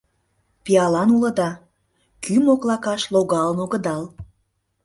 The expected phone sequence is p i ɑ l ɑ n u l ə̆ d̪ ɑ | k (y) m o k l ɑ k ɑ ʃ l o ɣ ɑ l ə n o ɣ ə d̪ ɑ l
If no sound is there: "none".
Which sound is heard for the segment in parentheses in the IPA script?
y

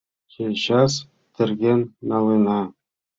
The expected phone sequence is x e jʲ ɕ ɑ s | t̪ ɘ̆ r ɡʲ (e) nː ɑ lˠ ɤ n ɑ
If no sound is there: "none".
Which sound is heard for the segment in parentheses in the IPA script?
e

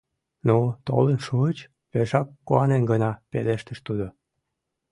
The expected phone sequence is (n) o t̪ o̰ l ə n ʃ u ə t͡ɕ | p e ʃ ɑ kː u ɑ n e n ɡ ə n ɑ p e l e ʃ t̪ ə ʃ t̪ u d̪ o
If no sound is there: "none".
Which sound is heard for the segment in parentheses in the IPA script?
n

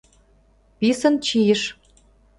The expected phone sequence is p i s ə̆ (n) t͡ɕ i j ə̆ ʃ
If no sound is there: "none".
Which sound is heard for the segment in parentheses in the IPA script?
n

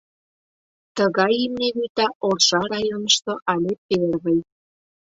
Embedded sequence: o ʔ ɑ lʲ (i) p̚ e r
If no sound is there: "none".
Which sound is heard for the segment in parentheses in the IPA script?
e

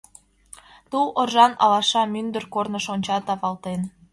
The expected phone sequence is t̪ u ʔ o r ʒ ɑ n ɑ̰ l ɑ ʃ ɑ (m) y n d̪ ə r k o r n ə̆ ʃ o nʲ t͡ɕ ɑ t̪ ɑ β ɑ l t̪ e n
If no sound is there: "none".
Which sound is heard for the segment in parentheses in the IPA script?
m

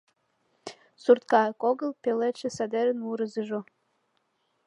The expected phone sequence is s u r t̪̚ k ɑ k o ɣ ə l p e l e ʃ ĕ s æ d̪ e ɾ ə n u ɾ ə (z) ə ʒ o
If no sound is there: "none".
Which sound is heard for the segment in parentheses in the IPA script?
z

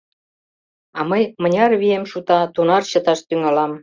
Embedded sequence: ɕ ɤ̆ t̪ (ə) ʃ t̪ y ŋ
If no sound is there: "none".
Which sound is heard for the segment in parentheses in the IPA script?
ɑ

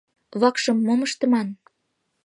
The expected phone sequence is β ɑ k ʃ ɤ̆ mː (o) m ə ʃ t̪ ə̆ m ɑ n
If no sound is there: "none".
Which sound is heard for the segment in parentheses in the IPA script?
o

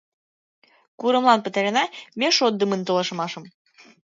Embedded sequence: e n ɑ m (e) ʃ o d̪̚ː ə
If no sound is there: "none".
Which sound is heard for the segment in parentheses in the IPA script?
e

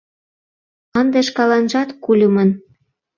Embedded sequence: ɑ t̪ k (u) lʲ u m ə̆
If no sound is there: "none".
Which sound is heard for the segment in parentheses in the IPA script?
u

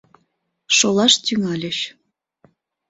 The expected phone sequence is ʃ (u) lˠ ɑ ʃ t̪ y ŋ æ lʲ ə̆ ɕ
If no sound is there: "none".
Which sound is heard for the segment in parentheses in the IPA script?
o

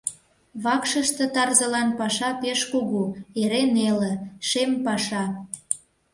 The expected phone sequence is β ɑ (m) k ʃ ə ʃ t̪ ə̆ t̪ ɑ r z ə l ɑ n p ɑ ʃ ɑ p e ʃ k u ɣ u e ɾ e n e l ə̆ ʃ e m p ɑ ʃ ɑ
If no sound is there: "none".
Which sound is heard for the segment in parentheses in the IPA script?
none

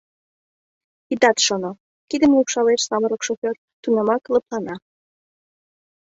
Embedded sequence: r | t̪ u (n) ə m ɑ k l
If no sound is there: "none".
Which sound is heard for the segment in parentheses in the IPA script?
n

